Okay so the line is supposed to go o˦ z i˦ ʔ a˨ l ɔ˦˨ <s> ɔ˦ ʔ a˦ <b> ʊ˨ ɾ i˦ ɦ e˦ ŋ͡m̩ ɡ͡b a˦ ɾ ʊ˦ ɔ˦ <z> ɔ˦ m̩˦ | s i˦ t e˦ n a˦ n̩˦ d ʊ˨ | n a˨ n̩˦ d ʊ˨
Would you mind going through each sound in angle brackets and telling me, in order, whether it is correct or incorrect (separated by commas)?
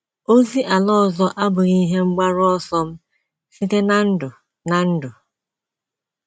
incorrect, correct, incorrect